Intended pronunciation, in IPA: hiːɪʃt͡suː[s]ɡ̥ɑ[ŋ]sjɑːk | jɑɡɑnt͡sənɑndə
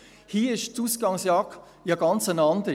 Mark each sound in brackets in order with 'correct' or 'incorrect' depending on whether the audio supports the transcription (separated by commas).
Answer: correct, correct